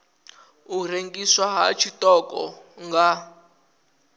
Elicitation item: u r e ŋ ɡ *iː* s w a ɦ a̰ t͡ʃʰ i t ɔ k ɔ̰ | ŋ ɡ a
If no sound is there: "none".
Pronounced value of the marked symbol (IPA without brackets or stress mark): i